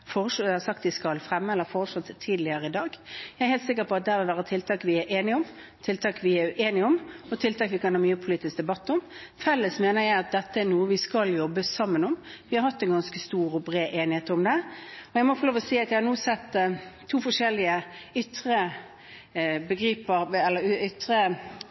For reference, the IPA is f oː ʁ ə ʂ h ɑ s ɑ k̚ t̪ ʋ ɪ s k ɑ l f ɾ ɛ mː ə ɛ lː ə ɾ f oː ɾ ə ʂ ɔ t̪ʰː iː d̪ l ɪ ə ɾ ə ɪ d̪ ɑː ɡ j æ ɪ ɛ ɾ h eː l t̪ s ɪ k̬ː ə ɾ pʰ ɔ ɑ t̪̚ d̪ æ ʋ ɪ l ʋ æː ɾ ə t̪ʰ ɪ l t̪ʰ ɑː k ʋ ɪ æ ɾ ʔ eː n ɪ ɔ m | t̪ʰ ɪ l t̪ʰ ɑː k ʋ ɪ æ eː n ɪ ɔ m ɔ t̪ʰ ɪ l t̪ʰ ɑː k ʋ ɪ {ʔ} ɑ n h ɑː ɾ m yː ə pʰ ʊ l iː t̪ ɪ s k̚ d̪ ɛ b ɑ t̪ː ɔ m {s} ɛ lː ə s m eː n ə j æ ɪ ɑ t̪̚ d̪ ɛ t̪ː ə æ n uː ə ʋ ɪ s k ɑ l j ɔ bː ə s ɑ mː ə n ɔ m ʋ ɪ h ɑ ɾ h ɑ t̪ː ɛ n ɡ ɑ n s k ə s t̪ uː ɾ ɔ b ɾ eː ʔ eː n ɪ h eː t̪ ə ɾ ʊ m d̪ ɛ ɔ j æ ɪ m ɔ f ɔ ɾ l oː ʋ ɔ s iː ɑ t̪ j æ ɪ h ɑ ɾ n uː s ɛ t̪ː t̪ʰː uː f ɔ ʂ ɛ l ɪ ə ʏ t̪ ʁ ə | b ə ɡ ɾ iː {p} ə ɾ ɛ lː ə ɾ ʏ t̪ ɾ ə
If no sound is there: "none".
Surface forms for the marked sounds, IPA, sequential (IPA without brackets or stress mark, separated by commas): k, f, p